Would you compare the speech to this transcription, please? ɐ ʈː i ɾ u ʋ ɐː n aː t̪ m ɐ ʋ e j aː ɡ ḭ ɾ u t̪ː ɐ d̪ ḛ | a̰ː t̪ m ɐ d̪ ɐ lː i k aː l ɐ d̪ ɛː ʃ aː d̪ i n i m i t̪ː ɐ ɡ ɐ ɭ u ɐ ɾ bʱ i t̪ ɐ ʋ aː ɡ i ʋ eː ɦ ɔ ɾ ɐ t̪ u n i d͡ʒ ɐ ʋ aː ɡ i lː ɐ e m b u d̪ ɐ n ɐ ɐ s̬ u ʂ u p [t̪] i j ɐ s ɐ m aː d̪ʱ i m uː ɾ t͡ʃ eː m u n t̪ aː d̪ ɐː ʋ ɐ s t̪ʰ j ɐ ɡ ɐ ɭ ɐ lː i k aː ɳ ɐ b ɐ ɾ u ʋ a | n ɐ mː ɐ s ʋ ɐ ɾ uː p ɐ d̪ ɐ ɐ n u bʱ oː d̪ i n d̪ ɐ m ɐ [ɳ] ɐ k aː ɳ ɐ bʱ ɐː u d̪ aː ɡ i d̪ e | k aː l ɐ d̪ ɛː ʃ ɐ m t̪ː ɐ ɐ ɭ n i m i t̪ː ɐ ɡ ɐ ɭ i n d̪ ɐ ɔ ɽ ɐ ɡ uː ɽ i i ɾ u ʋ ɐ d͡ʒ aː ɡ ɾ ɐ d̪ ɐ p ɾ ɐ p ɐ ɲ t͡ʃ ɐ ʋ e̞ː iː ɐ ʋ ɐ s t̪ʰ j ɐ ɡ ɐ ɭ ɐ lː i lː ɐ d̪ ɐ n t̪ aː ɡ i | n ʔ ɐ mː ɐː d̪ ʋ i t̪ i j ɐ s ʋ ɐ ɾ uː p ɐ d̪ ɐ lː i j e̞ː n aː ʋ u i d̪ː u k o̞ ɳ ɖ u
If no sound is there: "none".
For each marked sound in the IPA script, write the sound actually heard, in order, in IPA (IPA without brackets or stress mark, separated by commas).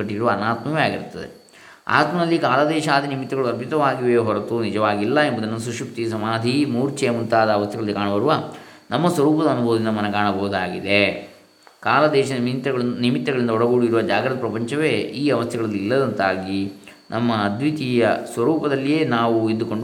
t̪, n